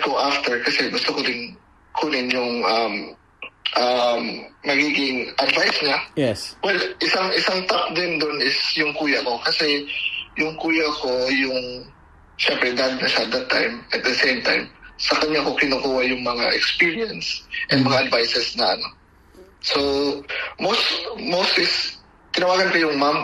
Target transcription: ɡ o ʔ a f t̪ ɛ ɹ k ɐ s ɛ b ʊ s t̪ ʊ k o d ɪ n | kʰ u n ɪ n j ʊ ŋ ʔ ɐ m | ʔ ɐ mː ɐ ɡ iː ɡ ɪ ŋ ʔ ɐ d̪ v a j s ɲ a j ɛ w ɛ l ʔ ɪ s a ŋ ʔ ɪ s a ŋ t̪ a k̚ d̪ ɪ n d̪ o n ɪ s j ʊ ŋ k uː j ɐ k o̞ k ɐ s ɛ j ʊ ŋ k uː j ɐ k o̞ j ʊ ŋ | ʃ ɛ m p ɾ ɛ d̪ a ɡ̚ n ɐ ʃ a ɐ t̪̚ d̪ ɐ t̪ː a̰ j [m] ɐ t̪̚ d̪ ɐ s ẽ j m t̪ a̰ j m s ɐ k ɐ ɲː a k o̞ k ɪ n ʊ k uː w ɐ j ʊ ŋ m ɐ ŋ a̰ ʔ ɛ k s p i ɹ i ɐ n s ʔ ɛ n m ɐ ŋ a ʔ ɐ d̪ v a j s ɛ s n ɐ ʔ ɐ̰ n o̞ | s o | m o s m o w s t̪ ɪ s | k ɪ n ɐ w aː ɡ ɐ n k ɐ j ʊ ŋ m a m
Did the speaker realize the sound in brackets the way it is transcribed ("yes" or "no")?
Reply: yes